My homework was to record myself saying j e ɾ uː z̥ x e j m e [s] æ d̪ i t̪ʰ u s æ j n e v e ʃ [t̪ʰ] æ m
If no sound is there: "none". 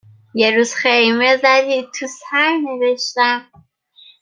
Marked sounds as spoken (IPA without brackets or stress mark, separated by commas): z, t̪